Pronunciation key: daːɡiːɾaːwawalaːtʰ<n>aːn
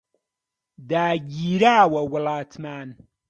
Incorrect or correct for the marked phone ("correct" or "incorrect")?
incorrect